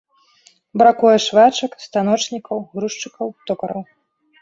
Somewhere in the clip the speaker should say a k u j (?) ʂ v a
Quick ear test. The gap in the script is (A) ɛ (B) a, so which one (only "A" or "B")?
A